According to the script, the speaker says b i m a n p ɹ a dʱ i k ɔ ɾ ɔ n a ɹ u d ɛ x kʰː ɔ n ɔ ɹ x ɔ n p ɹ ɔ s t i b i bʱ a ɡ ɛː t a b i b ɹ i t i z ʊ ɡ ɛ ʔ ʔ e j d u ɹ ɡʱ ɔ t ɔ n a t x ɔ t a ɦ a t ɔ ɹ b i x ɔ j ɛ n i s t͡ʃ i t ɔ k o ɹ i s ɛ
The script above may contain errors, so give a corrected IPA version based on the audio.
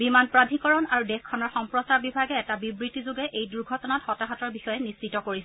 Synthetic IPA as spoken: b i m a n p ɹ a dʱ i k ɔ ɹ ɔ n a ɹ u d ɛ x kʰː ɔ n ɔ ɹ x ɔ m p ɹ ɔ s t a b i bʱ a ɡ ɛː t a b i b ɹ i t i z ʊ ɡ ɛ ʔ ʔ e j d u ɹ ɡʱ ɔ t ɔ n a t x ɔ t a ɦ a t ɔ ɹ b i x ɔ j ɛ n i s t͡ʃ i t ɔ k o ɹ i s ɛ